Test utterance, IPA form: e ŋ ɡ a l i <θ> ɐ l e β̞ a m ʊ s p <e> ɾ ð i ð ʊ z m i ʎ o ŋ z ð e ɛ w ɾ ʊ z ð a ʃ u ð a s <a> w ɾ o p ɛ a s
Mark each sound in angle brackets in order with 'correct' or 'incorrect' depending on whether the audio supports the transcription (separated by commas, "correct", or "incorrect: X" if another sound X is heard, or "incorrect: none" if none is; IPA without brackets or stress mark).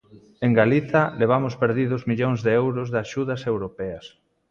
correct, correct, incorrect: e